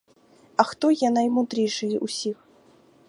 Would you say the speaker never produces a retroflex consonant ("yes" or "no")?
no